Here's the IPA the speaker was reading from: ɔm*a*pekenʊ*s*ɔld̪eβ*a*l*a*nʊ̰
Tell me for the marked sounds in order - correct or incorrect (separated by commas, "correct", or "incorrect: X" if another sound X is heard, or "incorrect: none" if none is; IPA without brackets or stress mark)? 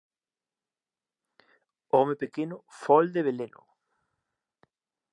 incorrect: e, incorrect: f, incorrect: e, incorrect: e